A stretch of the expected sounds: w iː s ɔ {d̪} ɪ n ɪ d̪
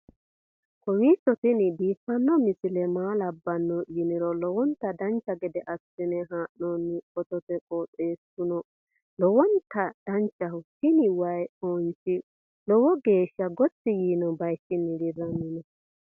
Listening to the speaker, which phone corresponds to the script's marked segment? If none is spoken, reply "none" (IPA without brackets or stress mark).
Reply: t̪